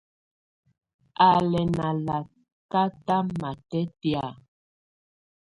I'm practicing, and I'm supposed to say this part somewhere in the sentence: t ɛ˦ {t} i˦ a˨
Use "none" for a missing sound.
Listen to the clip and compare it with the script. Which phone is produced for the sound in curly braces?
t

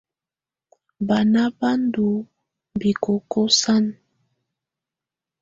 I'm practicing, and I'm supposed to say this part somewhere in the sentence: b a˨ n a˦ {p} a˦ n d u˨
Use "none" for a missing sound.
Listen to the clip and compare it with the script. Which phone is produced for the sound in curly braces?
b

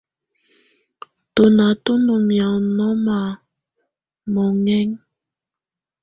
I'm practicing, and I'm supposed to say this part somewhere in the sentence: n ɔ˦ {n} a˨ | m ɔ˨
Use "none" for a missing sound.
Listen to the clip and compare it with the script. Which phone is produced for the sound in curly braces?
m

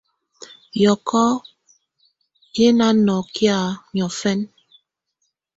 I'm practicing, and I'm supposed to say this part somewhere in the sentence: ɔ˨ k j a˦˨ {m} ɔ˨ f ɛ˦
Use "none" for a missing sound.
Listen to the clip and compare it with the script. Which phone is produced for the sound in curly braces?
ɲ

